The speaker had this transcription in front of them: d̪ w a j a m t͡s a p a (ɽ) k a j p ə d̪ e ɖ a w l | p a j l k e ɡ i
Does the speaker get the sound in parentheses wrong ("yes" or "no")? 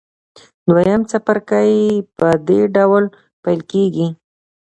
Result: yes